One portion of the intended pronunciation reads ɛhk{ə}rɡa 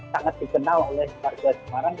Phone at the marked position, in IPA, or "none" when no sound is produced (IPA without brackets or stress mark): a